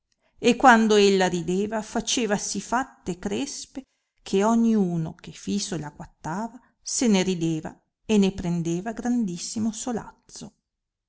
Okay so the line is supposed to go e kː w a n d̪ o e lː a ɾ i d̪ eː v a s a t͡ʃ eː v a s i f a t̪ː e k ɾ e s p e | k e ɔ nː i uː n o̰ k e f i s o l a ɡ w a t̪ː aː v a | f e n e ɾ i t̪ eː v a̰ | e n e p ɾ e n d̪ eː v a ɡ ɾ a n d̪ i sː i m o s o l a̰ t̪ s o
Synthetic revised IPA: e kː w a n d̪ o e lː a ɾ i d̪ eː v a f a t͡ʃ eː v a s i f a t̪ː e k ɾ e s p e | kʰ e ɔ ɲː i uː n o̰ k e f i s o l a ɡ w a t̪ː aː v a | s e n e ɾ i d̪ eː v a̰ | e n e p ɾ e n d̪ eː v a ɡ ɾ a n d̪ i sː i m o s o l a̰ t̪ s o